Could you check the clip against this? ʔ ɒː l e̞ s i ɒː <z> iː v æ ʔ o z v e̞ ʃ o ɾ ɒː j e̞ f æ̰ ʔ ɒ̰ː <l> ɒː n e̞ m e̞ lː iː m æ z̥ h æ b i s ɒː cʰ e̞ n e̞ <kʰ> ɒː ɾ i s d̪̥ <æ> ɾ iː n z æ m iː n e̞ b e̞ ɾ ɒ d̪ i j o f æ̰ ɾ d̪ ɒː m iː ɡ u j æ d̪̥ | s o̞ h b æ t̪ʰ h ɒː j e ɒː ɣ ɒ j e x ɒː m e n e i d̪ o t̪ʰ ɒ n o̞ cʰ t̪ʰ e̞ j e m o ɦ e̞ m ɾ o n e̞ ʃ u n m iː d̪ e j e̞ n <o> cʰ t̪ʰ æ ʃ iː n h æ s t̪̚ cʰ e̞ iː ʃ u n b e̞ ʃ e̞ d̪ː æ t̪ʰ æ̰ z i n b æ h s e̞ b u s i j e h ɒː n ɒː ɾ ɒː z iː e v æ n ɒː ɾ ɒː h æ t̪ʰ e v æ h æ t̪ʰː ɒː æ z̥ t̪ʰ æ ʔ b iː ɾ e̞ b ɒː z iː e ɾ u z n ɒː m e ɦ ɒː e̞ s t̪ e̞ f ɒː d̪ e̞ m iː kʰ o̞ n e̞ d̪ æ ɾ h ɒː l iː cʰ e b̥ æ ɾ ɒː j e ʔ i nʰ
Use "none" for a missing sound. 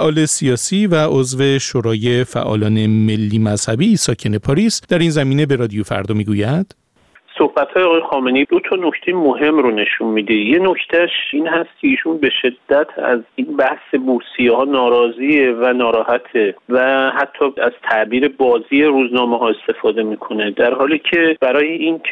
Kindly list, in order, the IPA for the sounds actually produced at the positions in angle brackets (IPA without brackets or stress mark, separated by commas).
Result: s, l, pʰ, æ, o